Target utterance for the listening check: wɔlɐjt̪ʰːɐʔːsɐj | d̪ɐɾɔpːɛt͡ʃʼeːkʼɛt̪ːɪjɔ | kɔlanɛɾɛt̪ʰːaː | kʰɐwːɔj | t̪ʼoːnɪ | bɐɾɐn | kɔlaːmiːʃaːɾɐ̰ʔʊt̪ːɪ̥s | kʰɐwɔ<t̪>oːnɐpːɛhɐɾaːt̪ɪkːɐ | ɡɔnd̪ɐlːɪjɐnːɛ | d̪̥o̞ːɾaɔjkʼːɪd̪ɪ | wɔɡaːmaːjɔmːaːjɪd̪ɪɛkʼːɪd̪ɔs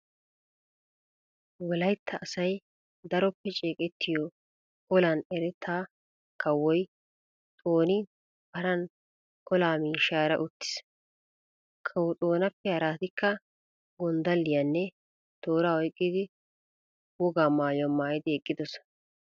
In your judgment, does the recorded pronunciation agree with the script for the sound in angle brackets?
no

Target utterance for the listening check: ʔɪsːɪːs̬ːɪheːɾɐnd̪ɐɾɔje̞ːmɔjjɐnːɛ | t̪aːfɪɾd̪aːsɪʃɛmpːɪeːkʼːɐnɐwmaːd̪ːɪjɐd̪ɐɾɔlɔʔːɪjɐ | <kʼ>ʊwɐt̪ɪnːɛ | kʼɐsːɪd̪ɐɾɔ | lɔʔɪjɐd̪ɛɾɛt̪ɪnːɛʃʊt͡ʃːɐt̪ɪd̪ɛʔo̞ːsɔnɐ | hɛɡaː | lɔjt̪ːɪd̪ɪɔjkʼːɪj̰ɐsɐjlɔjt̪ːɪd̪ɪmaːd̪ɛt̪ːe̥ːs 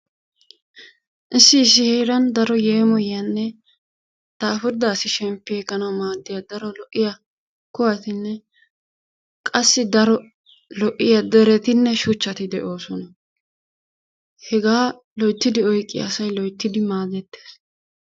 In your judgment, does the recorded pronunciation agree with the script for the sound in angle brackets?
no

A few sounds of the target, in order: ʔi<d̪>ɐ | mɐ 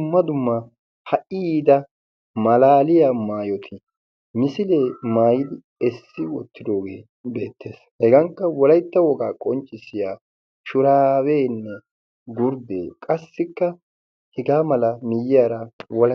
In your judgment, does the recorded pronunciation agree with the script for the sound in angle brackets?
yes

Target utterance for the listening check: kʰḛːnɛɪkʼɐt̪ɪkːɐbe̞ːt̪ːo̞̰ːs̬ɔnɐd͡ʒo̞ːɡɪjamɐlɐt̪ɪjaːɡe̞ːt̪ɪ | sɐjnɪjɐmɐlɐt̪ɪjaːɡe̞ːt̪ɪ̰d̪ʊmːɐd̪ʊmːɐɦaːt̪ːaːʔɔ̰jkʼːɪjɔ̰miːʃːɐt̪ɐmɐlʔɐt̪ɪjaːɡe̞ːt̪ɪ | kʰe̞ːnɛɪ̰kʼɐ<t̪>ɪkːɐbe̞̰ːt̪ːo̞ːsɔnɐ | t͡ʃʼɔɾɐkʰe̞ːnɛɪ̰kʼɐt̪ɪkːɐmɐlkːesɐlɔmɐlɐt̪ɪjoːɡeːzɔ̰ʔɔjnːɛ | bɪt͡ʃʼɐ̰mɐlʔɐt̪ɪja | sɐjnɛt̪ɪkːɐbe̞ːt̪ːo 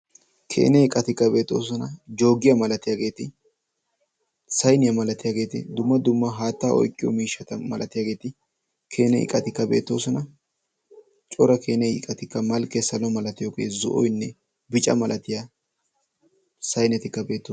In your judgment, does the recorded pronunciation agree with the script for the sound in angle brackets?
yes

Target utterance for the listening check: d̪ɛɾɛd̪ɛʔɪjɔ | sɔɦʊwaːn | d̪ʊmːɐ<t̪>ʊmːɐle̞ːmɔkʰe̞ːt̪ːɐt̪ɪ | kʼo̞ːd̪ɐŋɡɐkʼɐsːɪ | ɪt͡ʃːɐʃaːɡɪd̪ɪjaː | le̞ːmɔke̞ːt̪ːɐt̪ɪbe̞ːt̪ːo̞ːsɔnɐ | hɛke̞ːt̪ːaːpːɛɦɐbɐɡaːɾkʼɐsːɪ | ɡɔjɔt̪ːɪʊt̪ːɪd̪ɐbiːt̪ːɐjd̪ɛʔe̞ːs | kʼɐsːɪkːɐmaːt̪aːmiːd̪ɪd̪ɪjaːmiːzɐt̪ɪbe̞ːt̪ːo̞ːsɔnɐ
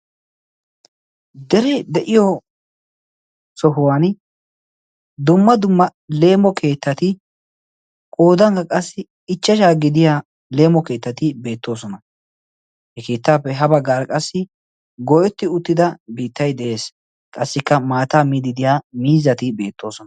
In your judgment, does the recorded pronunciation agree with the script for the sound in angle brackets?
no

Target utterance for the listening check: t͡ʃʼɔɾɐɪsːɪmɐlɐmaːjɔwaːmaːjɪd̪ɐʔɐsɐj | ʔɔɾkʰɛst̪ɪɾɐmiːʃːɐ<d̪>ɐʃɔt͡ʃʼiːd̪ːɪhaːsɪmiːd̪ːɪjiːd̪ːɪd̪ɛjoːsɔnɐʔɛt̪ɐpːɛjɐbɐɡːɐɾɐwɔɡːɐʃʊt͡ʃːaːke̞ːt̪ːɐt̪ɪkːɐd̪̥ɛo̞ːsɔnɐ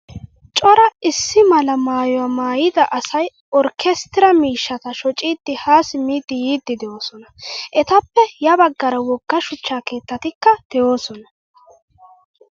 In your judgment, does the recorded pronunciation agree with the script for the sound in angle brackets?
no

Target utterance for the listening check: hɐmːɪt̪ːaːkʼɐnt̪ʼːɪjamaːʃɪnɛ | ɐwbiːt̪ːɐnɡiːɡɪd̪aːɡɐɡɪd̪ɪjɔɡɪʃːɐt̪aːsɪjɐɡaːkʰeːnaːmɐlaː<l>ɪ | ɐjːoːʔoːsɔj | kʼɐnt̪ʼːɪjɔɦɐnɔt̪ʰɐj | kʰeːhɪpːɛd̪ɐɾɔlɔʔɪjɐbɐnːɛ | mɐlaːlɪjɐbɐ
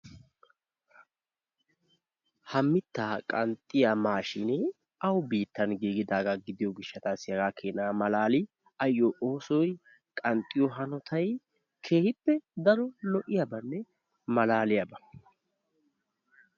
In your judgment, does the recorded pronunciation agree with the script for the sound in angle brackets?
yes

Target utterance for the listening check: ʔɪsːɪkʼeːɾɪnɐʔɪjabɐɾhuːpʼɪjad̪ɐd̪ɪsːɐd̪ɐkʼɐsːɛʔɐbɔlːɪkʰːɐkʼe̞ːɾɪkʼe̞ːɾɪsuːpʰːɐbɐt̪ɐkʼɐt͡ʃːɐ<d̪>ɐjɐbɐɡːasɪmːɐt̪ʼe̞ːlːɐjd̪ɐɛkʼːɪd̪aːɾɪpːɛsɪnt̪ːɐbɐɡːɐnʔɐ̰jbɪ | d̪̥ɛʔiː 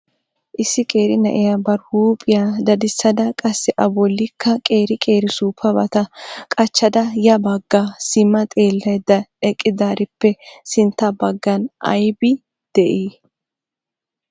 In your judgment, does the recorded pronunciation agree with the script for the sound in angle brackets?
yes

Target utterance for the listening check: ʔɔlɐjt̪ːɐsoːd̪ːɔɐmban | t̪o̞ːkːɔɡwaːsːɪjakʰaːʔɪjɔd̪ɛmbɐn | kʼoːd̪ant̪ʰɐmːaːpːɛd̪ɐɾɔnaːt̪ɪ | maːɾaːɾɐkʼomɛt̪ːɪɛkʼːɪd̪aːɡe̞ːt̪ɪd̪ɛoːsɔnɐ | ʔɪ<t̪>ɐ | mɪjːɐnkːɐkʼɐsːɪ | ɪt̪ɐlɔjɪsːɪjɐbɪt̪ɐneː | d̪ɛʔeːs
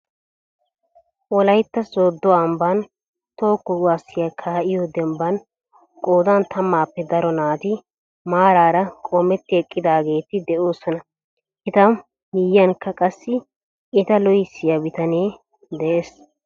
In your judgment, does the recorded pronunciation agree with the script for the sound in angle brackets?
yes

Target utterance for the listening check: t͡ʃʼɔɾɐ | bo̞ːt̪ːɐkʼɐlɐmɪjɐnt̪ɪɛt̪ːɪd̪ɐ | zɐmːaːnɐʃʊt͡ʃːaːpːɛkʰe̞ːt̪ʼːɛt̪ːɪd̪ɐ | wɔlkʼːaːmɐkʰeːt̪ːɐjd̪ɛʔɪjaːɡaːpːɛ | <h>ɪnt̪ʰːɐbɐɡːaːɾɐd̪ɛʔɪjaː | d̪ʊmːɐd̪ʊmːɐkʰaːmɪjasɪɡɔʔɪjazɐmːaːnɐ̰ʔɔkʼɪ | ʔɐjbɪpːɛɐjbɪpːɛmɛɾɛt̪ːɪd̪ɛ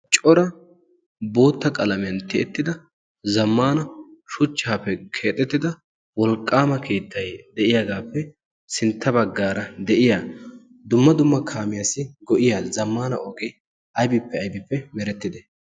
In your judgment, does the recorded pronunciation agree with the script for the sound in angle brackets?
no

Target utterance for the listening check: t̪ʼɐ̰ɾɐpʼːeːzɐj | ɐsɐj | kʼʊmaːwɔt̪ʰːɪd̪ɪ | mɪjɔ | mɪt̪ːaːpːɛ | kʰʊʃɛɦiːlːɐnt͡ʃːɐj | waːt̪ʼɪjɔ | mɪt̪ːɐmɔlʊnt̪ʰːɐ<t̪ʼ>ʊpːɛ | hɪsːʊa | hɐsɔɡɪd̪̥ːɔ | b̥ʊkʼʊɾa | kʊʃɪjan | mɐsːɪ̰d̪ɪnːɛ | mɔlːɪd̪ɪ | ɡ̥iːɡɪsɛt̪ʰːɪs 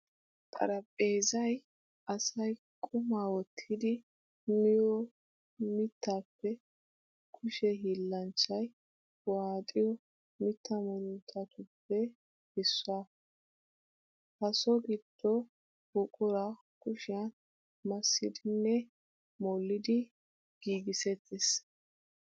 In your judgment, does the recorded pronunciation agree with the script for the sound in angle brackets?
no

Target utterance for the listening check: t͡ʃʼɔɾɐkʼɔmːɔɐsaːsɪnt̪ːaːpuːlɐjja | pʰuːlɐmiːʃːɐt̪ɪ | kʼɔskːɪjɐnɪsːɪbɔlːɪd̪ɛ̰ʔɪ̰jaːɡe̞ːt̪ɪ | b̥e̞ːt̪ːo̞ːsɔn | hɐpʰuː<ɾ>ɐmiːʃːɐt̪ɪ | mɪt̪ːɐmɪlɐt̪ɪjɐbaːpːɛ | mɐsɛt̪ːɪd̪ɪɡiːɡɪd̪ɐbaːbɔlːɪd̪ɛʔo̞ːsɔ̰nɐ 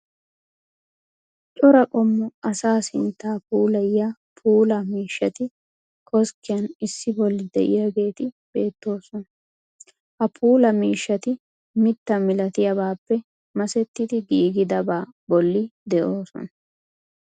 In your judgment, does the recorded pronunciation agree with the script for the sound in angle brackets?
no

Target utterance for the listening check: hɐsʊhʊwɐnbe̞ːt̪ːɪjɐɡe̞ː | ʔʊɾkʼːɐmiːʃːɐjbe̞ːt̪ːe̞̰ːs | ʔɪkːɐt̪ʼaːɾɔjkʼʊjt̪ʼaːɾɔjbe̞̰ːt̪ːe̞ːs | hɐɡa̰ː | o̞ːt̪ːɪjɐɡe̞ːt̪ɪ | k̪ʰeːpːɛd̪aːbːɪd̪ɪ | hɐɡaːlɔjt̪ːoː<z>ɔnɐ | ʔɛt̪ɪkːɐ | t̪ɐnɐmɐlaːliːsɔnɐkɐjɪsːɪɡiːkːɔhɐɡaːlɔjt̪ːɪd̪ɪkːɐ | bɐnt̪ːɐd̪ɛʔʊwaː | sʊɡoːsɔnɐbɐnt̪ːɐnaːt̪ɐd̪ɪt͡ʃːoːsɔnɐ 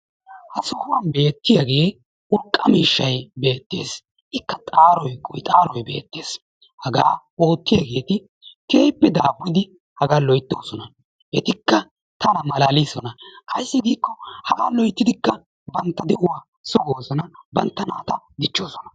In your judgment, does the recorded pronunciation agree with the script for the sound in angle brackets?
no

